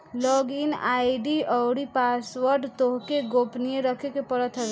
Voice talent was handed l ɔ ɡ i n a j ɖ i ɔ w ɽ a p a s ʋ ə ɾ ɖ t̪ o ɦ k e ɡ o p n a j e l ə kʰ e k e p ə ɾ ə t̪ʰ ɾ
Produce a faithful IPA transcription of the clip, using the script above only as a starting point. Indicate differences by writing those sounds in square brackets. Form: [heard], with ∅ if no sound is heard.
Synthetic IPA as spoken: l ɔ ɡ i n a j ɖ i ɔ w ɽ [i] p a s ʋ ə ɾ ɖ t̪ o ɦ k e ɡ o p n [i] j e [ɾ] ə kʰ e k e p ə ɾ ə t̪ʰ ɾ